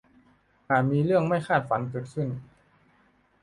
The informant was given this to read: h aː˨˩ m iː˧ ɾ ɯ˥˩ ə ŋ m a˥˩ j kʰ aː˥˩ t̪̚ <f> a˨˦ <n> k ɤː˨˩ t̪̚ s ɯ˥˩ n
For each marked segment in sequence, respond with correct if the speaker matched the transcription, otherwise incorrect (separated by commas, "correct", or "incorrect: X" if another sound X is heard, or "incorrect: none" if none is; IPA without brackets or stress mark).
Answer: correct, correct